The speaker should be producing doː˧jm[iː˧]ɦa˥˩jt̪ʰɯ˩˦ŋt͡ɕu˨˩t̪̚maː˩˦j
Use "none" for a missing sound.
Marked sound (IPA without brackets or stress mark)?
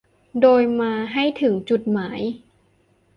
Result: aː˧